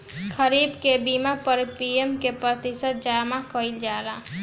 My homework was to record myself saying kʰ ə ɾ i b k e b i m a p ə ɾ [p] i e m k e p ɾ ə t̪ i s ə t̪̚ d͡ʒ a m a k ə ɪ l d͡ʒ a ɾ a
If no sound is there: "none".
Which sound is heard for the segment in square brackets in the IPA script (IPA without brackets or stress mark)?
p